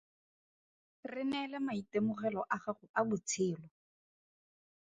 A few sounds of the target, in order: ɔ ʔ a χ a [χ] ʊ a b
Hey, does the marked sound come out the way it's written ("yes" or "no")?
yes